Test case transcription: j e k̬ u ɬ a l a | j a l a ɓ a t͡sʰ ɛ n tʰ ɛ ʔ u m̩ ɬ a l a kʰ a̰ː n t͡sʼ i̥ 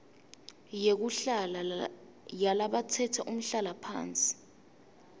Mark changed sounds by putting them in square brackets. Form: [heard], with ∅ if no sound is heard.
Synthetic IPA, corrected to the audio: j e k̬ u ɬ a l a | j a l a ɓ a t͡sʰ ɛ [∅] tʰ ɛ ʔ u m̩ ɬ a l a [pʰ] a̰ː n t͡sʼ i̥

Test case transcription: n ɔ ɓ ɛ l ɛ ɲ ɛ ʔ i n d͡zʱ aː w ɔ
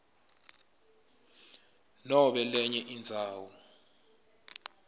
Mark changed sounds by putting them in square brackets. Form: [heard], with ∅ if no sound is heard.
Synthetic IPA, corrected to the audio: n ɔ ɓ ɛ l ɛ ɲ ɛ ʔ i n d͡zʱ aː w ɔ

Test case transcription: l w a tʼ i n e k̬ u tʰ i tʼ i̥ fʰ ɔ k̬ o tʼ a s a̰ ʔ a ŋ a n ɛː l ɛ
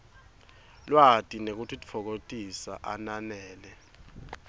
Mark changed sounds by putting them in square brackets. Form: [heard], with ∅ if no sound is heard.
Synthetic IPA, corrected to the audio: l w a tʼ i n e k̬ u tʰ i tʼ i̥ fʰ ɔ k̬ o tʼ [i] s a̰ ʔ a [n] a n ɛː l ɛ

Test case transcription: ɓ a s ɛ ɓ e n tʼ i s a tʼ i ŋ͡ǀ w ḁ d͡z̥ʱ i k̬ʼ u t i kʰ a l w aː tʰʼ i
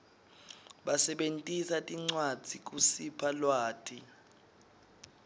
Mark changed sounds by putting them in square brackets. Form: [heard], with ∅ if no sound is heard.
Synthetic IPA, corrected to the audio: ɓ a s ɛ ɓ e n tʼ i s a tʼ i ŋ͡ǀ w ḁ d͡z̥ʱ i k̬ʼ u [s] i [pʰ] a l w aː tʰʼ i

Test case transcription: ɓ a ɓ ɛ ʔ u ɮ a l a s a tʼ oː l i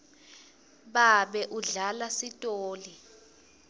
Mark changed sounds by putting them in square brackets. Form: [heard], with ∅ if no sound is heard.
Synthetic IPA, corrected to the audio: ɓ a ɓ ɛ ʔ u ɮ a l a s [i] tʼ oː l i

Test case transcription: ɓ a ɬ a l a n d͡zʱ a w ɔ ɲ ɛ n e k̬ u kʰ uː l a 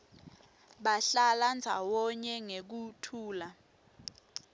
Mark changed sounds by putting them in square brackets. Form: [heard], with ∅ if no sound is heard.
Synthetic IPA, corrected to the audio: ɓ a ɬ a l a n d͡zʱ a w ɔ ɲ ɛ [ŋ] e k̬ u [tʰ] uː l a

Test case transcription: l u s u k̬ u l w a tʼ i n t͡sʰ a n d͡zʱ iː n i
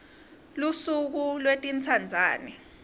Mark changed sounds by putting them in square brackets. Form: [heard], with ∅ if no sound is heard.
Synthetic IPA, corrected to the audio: l u s u k̬ u l w [e] tʼ i n t͡sʰ a n d͡zʱ [aː] n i

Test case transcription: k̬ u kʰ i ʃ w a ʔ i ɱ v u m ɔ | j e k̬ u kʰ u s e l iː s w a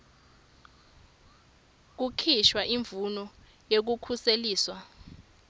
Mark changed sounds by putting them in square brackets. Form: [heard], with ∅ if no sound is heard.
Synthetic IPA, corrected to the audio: k̬ u kʰ i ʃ w a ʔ i ɱ v u [n] ɔ | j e k̬ u kʰ u s e l iː s w a

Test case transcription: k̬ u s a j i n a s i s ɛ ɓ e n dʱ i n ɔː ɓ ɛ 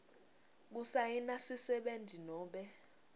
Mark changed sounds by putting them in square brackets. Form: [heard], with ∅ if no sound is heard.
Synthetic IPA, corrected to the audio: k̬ u s a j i n a s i s ɛ ɓ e n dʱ i n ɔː ɓ ɛ

